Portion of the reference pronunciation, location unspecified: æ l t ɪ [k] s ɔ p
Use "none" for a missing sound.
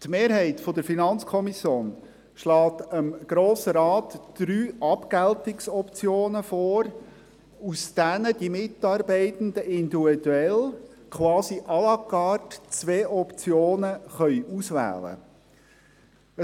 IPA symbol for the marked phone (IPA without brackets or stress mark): k